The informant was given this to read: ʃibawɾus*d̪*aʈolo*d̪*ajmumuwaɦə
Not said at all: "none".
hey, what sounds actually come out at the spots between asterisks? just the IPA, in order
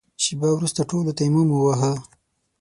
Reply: t̪, t̪

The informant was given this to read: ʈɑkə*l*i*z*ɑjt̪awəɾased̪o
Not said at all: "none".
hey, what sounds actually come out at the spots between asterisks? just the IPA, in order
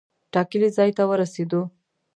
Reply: l, z

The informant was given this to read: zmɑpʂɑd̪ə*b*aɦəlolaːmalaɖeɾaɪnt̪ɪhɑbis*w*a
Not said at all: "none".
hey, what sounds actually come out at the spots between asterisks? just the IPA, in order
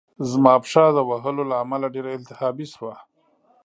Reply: w, w

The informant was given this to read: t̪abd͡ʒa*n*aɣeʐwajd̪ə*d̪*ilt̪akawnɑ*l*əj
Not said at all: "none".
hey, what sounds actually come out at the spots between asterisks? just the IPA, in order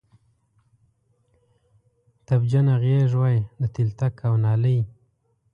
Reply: n, t̪, l

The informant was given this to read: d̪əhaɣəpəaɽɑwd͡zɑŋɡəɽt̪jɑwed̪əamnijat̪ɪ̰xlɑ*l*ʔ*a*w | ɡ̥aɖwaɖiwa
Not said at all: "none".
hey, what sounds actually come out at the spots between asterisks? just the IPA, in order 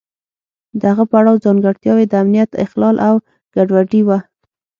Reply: l, a

